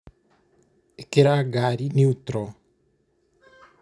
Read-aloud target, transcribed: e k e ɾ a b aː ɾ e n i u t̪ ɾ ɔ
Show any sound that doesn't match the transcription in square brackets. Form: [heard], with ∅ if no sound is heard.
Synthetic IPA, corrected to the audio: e k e ɾ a [ɡ] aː ɾ [i] n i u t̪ ɾ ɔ